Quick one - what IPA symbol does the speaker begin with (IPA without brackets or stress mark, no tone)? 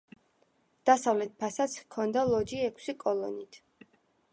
d̪̥